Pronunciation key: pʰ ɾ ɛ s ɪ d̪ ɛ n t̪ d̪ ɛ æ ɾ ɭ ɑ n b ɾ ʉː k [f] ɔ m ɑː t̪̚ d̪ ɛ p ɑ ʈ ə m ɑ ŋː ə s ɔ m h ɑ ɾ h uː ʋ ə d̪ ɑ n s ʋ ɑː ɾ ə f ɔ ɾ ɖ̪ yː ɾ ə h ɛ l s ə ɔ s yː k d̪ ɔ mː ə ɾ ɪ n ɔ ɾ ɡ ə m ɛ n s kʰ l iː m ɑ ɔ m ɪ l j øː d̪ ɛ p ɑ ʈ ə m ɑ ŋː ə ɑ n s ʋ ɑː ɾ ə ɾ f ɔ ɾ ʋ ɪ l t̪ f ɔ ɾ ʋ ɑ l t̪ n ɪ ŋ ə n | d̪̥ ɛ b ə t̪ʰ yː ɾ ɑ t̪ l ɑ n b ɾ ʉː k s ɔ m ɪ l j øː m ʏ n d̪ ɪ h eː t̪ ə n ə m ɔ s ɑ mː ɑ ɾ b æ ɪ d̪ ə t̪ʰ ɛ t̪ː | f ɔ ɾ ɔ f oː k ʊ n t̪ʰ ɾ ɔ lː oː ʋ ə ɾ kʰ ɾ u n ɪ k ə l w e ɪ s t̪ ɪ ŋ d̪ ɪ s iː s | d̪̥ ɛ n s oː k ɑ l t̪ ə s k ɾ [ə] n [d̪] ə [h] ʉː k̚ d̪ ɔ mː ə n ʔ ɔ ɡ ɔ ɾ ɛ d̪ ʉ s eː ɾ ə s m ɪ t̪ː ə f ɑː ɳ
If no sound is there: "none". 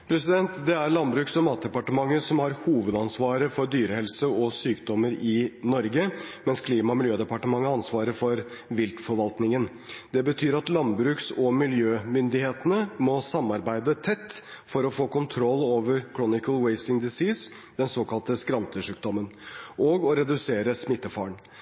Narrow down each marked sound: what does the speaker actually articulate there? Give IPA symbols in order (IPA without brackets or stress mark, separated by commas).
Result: s, ɑ, t̪, ʂ